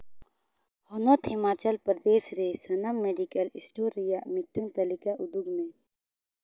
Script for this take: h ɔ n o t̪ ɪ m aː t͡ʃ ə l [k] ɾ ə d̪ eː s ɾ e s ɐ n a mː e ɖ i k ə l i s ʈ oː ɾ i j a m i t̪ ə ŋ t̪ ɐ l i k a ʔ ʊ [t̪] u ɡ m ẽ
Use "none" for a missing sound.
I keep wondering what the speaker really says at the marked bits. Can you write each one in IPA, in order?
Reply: p, d̪

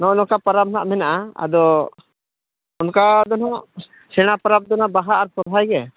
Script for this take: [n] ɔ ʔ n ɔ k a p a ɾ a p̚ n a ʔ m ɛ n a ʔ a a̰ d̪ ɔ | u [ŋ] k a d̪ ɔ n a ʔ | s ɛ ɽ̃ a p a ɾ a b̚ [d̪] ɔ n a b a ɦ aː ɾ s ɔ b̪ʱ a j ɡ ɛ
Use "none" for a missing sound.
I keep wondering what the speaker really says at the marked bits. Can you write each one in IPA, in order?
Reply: n, n, d̪

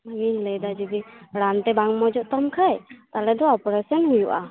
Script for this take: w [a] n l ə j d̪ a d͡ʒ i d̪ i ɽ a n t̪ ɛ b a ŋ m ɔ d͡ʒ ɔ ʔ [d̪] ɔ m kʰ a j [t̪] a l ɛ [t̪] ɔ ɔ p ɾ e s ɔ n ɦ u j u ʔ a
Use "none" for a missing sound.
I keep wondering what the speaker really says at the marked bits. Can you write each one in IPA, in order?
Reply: i, t̪, t̪, d̪

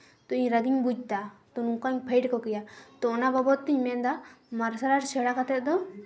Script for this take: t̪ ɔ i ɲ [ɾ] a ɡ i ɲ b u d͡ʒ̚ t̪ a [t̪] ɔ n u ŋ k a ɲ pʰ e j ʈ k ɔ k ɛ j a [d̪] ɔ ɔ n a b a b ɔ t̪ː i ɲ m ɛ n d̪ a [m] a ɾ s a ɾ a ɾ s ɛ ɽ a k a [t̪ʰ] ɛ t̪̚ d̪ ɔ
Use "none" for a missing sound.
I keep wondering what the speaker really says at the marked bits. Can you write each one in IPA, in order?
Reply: ɾ, t̪, t̪, m, t̪

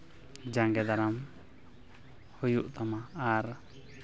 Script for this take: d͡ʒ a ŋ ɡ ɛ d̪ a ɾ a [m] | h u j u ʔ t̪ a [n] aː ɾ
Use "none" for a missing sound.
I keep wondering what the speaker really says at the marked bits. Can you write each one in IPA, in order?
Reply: m, m

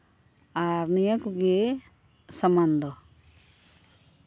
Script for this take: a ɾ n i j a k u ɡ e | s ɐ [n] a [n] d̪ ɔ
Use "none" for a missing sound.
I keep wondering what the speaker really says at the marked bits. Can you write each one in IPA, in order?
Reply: m, n

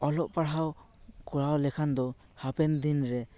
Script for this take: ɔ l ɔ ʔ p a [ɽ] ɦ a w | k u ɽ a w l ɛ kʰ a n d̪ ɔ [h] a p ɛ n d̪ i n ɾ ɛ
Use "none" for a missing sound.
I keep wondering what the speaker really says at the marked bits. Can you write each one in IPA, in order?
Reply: ɽ, h

